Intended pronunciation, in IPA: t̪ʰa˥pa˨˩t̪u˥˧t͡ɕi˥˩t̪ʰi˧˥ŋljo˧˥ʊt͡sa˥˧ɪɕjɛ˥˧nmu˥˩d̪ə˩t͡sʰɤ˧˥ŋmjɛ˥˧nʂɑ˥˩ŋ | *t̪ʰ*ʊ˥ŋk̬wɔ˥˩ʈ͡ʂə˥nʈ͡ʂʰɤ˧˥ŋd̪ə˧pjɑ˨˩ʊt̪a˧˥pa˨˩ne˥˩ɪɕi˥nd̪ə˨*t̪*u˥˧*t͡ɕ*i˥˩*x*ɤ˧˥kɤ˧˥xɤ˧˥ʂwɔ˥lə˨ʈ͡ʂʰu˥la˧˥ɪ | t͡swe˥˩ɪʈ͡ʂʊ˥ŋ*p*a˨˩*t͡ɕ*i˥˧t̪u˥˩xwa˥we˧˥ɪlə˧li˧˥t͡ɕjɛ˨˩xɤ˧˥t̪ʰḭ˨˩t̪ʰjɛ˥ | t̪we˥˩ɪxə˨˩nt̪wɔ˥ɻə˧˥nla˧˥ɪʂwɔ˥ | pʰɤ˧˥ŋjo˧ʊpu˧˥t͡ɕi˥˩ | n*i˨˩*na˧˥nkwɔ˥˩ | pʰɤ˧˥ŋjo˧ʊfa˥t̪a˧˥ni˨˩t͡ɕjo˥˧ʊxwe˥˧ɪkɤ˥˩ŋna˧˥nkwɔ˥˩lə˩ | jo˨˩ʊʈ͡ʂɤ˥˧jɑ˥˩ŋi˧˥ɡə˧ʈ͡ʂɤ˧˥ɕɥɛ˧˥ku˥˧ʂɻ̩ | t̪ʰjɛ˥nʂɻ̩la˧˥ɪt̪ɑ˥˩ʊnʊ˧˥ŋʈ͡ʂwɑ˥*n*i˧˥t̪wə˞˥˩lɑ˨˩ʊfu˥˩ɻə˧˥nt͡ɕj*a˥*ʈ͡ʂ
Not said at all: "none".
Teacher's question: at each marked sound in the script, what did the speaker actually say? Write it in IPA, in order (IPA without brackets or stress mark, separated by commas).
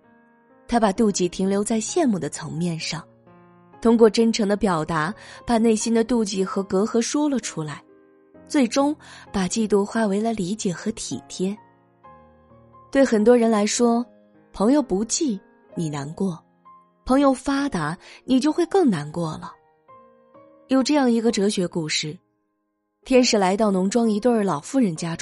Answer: t̪ʰ, t̪, t͡ɕ, x, p, t͡ɕ, i˨˩, ŋ, a˥